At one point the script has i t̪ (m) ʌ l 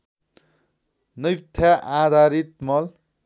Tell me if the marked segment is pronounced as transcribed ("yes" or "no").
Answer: yes